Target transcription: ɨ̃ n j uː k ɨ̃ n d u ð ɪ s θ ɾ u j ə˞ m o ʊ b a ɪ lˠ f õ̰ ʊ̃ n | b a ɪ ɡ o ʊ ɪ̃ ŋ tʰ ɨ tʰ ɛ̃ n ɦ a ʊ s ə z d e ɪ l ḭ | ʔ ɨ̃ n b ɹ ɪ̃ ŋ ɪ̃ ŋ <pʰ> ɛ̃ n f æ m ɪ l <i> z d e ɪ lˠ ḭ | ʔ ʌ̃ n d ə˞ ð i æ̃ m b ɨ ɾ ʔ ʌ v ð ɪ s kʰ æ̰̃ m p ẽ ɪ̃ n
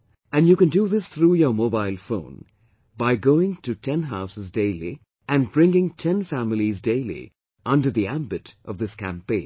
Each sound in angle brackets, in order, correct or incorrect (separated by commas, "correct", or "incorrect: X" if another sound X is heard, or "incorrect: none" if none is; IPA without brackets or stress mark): incorrect: tʰ, correct